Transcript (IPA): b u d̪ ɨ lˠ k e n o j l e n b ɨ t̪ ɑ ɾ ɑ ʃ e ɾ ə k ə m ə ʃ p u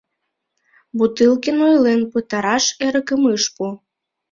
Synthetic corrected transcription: b u t̪ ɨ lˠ k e n o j l e n p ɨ t̪ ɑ ɾ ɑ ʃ e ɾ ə k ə m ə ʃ p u